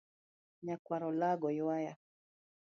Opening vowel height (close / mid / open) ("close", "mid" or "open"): open